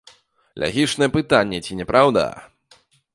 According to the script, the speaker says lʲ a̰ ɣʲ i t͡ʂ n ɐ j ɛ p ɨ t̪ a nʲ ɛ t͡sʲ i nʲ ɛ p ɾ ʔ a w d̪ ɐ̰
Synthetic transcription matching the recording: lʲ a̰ ɣʲ i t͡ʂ n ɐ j ɛ p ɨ t̪ a nʲː ɛ t͡sʲ i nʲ ɛ p ɾ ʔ a w d̪ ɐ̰